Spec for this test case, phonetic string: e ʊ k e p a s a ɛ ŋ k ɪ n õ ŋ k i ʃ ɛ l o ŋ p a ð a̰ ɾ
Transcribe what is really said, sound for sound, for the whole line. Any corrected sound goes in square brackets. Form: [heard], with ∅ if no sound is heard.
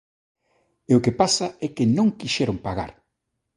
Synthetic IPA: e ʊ k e p a s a ɛ [∅] k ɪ n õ ŋ k i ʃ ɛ [ɾ] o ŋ p a [ɣ] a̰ ɾ